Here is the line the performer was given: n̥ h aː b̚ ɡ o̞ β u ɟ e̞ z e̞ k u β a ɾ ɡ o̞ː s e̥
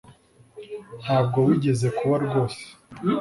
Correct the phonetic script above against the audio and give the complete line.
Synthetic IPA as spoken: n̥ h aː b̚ ɡ o̞ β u ɟ e̞ z e̞ k u β a ɾ ɡ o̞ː s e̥